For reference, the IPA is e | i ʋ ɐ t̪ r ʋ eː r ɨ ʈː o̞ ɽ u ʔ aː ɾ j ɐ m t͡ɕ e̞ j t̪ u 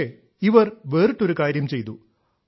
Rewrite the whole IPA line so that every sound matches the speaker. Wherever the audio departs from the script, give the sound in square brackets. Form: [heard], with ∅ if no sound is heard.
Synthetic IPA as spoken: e | i ʋ ɐ [∅] r ʋ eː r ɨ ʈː o̞ [ɾ] u [k] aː ɾ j ɐ m t͡ɕ e̞ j t̪ u